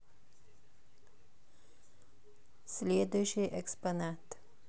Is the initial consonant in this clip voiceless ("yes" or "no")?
yes